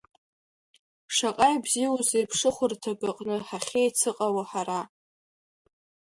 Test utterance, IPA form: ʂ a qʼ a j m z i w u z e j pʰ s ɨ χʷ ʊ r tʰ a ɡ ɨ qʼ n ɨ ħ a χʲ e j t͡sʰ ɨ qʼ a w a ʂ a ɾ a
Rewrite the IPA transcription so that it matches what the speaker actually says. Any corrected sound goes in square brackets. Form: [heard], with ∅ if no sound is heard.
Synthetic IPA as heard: ʂ a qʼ a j [b] z i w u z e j pʰ [ʂ] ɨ χʷ ʊ r tʰ a ɡ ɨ qʼ n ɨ ħ a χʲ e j t͡sʰ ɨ qʼ a w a [ħ] a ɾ a

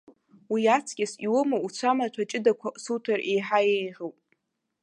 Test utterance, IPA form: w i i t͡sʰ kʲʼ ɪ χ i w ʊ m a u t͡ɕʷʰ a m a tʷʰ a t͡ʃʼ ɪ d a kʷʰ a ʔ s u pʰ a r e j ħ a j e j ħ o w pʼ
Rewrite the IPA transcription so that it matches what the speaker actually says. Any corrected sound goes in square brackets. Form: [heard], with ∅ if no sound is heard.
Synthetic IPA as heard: w i [a] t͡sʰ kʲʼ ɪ [s] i w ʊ m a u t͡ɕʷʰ a m a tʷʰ a t͡ʃʼ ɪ d a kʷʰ a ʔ s u [tʰ] a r e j ħ a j e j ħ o w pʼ

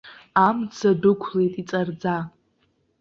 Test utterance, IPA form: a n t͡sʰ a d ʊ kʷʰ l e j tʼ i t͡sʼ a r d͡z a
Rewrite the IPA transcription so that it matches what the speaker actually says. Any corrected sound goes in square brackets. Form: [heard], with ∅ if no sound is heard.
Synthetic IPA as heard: a [m] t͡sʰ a d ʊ kʷʰ l e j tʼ i t͡sʼ a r d͡z a

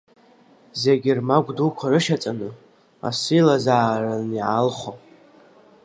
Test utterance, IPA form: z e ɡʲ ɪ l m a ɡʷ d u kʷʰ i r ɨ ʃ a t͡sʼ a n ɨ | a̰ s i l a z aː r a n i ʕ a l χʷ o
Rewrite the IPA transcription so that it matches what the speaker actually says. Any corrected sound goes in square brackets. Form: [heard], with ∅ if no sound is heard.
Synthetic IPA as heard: z e ɡʲ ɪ [r] m a ɡʷ d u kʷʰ [a] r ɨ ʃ a t͡sʼ a n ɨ | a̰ s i l a z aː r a n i ʕ a l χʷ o

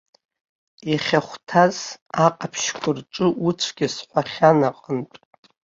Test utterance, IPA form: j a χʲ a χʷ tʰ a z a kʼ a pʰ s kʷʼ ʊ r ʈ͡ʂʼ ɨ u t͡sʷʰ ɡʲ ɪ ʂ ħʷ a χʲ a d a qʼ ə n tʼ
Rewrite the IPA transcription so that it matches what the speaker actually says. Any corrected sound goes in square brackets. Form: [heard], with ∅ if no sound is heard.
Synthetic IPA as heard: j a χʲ a χʷ tʰ a z a [qʼ] a pʰ [ʃ] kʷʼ ʊ r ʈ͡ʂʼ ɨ u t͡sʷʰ ɡʲ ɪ [s] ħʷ a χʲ a [n] a qʼ ə n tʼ

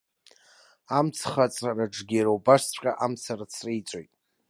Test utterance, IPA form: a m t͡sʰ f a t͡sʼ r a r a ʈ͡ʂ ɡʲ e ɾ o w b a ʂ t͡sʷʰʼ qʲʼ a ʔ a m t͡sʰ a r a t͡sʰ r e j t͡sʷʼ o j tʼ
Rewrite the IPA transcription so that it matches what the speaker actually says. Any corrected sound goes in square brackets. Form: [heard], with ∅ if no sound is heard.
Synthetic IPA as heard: a m t͡sʰ [χ] a t͡sʼ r a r a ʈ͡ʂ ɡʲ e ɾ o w b a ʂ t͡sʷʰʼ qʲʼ a ʔ a m t͡sʰ a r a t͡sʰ r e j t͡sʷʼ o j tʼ

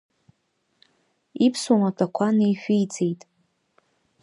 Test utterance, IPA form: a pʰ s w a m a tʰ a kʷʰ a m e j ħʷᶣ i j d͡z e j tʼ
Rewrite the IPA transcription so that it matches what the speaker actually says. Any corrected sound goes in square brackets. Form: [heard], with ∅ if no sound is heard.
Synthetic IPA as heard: [i] pʰ s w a m a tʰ a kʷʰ a [n] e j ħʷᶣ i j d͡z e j tʼ

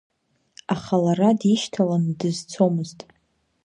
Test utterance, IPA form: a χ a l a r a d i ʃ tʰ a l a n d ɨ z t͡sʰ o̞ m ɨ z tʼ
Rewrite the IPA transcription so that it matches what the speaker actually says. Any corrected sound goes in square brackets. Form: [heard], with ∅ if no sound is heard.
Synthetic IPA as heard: a χ a l a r a d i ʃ tʰ a l a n d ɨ z t͡sʰ o̞ m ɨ z tʼ

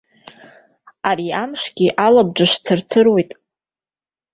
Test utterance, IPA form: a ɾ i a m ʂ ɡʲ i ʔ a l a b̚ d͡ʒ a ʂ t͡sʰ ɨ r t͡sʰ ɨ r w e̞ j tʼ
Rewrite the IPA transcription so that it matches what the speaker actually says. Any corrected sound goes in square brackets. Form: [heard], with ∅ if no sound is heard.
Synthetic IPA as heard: a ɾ i a m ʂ ɡʲ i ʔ a l a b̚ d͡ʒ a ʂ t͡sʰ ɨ r t͡sʰ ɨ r w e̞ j tʼ

